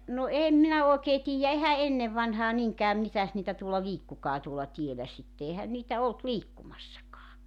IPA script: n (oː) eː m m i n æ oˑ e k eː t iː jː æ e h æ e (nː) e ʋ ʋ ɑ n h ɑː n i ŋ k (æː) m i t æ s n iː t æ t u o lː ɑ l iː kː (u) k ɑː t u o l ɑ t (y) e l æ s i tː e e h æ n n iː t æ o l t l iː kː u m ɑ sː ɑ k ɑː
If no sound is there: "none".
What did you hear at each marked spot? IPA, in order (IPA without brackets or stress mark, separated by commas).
o, nː, æː, u, i